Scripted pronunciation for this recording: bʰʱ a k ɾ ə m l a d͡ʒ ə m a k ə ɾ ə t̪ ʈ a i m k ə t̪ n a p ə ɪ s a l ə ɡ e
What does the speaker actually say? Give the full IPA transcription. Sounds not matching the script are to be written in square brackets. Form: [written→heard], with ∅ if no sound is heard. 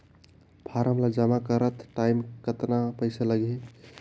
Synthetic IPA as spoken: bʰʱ a [k→∅] ɾ ə m l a d͡ʒ ə m a k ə ɾ ə t̪ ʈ a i m k ə t̪ n a p ə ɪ s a l ə ɡ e